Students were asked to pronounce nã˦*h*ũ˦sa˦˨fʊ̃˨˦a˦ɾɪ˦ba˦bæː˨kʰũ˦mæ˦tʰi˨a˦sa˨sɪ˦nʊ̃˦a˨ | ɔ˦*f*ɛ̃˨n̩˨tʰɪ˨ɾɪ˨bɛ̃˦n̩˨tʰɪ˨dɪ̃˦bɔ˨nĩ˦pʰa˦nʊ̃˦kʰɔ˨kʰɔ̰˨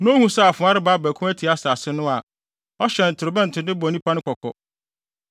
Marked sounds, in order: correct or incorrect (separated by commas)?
correct, incorrect